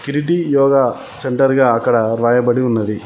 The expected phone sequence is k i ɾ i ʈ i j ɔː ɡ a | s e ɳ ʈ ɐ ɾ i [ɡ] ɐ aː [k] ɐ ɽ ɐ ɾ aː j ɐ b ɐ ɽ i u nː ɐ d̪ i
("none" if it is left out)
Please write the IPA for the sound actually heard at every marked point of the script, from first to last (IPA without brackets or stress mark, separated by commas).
ɡ, k